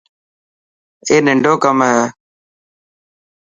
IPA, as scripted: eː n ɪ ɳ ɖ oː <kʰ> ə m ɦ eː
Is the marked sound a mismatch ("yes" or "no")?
yes